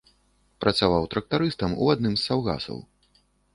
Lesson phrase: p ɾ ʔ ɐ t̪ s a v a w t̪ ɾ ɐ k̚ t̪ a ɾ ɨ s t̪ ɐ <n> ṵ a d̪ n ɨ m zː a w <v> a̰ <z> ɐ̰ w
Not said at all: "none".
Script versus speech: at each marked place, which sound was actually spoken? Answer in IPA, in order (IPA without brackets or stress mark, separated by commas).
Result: m, ɣ, s